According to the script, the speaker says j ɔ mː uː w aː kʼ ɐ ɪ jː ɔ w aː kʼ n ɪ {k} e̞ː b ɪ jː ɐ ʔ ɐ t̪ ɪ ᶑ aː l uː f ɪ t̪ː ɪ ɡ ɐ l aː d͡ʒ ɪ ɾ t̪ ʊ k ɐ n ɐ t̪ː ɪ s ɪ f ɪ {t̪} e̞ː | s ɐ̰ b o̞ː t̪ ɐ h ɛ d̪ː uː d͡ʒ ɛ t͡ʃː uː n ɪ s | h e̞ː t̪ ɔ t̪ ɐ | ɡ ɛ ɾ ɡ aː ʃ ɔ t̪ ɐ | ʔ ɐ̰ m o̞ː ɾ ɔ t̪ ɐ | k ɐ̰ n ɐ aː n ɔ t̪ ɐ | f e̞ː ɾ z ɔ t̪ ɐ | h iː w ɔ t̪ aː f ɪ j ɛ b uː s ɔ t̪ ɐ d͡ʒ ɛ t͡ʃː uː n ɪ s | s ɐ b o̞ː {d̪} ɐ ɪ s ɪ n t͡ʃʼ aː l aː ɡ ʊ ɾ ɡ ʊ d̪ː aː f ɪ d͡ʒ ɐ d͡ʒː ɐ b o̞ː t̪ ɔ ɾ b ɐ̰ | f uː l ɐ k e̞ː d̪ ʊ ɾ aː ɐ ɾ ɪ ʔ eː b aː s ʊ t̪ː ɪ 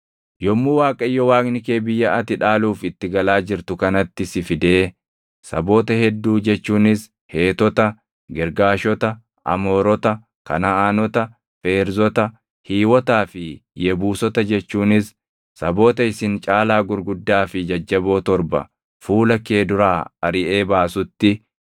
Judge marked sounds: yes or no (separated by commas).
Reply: yes, no, no